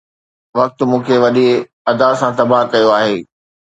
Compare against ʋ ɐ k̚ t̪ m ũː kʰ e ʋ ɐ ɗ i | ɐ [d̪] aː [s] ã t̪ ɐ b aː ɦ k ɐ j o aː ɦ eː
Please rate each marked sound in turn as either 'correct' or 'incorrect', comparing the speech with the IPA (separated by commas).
correct, correct